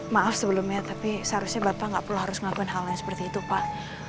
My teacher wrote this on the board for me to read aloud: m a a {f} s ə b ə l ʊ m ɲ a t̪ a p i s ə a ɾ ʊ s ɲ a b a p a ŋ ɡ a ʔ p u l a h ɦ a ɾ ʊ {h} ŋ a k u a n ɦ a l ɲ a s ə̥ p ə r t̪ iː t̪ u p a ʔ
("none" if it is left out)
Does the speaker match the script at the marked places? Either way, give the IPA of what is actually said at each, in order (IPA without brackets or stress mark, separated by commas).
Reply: f, s